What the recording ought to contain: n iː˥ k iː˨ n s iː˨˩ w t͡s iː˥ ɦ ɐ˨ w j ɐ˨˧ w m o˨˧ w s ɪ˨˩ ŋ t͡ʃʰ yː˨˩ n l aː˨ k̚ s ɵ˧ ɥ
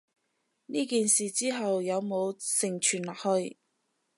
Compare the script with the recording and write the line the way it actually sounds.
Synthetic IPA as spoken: n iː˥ k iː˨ n s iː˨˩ t͡s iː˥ ɦ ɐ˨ w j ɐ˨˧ w m o˨˧ w s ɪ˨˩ ŋ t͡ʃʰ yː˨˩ n l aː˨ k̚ h ɵ˧ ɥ